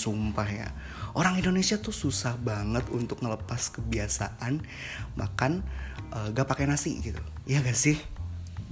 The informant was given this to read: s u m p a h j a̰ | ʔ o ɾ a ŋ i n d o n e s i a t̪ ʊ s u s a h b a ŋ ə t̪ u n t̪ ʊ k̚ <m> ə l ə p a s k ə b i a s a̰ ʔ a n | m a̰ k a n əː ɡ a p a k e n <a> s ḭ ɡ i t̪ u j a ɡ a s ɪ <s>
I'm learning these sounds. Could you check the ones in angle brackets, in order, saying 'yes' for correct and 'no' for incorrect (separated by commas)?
no, yes, no